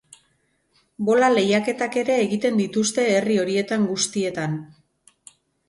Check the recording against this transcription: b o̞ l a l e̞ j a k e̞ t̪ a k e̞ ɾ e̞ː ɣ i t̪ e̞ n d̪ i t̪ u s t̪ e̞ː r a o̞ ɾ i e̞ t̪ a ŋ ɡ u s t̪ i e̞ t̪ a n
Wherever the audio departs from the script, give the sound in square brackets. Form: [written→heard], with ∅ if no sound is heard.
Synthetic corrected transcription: b o̞ l a l e̞ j a k e̞ t̪ a k e̞ ɾ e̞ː ɣ i t̪ e̞ n d̪ i t̪ u s t̪ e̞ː r [a→i] o̞ ɾ i e̞ t̪ a ŋ ɡ u s t̪ i e̞ t̪ a n